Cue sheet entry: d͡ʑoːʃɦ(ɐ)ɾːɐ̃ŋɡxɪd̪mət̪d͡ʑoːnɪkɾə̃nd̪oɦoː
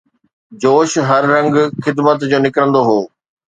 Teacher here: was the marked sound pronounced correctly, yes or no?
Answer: yes